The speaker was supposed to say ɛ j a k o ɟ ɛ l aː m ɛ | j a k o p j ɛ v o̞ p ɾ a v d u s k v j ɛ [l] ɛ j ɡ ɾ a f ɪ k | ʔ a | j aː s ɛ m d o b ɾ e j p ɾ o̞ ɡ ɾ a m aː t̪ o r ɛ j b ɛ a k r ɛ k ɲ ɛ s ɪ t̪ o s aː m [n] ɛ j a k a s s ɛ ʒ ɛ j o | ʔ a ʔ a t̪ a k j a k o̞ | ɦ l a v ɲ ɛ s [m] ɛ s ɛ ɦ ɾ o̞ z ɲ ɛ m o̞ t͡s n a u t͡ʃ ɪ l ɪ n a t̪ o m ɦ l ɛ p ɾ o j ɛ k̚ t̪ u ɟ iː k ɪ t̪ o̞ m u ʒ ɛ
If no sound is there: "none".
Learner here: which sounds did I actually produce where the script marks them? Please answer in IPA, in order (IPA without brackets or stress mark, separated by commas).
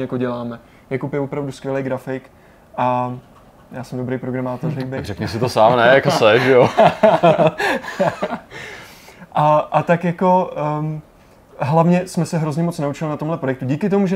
l, n, m